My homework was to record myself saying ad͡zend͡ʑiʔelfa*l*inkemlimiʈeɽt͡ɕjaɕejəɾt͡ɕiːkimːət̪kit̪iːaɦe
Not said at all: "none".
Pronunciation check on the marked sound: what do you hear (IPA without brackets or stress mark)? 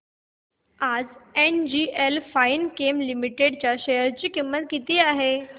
none